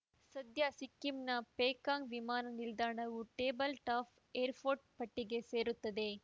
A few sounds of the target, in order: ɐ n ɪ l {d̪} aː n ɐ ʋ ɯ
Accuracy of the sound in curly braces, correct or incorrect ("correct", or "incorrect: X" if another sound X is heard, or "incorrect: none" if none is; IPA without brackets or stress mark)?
correct